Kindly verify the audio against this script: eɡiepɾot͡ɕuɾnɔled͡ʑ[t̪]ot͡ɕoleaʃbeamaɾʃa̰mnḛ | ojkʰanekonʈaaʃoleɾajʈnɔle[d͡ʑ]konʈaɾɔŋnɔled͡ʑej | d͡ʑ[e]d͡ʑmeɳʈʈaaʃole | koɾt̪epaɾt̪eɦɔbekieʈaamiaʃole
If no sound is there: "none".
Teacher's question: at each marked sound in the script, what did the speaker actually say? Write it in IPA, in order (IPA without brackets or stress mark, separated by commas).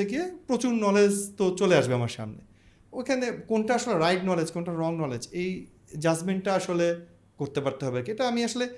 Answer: t̪, d͡ʑ, a